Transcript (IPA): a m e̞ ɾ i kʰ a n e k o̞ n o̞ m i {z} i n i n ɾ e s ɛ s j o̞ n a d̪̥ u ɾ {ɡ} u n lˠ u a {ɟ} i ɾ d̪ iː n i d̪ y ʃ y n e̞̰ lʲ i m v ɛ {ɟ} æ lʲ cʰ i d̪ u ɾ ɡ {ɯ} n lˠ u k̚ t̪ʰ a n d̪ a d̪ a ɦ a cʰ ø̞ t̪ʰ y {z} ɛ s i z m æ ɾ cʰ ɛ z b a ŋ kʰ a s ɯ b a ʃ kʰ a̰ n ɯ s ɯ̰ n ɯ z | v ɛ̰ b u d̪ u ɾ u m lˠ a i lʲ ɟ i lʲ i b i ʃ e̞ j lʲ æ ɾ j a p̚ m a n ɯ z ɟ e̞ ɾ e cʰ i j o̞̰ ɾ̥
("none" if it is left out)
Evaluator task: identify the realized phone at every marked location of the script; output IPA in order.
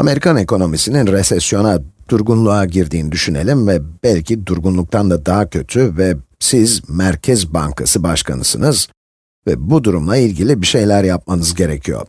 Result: s, ɡ, ɟ, b, u, v

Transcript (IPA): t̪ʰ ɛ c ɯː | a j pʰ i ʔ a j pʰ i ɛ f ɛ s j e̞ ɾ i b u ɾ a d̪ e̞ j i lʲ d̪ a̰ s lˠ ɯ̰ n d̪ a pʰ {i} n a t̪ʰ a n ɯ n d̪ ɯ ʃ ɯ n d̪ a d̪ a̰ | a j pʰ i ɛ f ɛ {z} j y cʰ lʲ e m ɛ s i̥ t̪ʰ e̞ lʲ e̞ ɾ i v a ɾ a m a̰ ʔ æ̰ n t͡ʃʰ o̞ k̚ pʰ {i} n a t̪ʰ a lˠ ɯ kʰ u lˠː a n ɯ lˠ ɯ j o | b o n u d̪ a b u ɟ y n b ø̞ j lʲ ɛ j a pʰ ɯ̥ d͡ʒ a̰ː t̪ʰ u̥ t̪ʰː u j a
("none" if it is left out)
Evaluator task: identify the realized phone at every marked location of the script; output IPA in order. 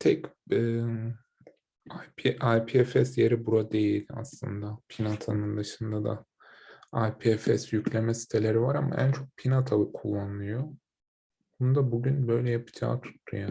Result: i, s, i

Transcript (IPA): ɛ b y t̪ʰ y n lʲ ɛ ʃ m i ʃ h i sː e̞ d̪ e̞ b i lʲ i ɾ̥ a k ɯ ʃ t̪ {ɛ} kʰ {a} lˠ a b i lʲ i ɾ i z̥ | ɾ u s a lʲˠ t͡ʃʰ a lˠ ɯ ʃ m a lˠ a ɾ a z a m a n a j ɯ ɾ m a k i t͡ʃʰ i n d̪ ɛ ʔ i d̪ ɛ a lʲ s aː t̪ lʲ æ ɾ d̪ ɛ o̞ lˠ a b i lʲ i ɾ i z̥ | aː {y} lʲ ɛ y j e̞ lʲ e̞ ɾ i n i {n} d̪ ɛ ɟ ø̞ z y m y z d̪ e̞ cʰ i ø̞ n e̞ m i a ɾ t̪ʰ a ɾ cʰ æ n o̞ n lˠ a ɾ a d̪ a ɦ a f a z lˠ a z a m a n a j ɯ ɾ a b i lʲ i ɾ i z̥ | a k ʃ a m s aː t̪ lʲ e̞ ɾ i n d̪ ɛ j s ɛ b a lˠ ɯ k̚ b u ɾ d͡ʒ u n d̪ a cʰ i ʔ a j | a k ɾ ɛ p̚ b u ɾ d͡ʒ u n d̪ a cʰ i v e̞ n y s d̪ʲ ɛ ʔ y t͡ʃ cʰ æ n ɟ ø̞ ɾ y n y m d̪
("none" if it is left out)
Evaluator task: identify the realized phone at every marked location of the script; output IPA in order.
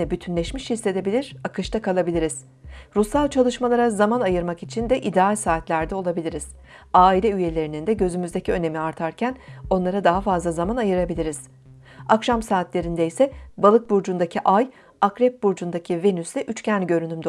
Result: a, a, i, n

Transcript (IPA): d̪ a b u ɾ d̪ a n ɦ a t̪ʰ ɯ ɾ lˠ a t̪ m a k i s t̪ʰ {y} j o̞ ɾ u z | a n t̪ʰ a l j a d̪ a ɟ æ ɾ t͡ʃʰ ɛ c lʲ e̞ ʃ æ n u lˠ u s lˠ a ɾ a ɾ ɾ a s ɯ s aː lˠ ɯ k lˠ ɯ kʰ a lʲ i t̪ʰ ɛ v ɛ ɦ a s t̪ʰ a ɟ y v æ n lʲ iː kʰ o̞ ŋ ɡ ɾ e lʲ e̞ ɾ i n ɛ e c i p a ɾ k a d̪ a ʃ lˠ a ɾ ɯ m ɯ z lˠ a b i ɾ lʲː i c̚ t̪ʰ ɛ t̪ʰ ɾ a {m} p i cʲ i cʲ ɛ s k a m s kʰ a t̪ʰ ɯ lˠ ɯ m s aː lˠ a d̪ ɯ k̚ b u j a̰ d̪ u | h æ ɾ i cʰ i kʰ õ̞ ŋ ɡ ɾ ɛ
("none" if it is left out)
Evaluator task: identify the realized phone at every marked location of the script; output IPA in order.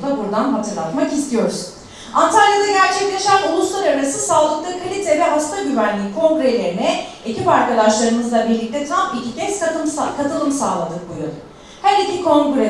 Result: i, m

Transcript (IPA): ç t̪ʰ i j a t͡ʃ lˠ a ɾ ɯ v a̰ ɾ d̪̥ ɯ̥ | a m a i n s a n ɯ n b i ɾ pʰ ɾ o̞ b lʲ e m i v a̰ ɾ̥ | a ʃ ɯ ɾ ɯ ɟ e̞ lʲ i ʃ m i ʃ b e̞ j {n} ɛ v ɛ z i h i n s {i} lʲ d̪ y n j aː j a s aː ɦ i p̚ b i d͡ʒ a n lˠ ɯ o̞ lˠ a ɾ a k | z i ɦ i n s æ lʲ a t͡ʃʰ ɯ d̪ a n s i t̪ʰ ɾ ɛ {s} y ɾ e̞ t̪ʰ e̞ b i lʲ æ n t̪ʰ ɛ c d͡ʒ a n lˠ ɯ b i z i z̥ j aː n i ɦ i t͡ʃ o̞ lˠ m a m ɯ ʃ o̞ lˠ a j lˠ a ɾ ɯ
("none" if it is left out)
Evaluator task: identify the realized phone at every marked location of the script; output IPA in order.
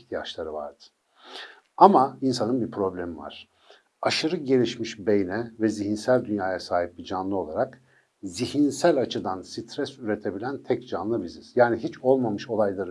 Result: n, æ, s

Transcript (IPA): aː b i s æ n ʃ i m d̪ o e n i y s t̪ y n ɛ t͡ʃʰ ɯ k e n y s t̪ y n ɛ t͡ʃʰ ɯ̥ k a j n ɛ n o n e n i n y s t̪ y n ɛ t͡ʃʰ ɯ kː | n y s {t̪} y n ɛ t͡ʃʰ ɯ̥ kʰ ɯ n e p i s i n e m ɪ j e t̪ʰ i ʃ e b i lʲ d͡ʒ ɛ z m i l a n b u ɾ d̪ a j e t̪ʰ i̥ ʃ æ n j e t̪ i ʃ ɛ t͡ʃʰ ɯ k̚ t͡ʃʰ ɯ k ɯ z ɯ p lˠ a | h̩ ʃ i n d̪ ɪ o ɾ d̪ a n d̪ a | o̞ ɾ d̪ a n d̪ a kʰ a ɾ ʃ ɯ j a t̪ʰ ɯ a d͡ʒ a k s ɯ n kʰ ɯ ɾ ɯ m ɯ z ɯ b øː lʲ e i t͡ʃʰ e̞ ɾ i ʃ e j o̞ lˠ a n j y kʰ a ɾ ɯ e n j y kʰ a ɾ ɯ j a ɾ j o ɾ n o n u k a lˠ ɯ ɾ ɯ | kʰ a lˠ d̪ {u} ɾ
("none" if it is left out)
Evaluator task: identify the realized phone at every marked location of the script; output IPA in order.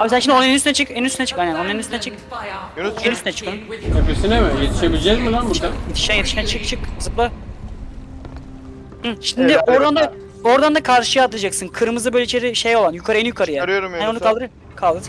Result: t̪, ɯ

